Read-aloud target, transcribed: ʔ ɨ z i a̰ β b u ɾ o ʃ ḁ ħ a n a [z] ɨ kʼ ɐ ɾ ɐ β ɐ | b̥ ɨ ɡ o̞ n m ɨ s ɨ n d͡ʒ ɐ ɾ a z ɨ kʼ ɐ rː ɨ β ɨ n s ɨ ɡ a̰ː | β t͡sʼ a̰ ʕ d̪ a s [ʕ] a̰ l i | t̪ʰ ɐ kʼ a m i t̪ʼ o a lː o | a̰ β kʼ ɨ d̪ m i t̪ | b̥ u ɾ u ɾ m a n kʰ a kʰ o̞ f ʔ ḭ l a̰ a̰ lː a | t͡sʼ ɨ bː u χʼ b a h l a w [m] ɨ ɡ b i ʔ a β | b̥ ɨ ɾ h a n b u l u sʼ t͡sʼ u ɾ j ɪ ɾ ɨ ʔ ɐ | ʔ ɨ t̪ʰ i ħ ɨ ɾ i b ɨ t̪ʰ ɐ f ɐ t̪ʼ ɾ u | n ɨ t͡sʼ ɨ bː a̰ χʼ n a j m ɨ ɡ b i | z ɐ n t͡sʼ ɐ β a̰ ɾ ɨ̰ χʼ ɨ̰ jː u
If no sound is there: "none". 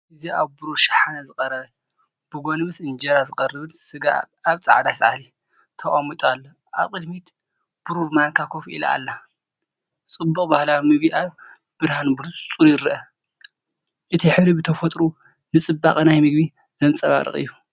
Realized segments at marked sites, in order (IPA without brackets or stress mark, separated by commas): z, ʕ, m